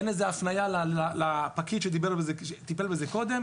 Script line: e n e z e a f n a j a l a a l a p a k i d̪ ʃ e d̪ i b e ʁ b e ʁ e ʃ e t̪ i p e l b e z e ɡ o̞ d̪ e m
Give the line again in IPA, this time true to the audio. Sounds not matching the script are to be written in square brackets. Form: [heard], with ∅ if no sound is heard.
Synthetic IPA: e n e z e a f n a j a l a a l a p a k i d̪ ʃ e d̪ i b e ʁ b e [z] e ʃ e t̪ i p e l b e z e [k] o̞ d̪ e m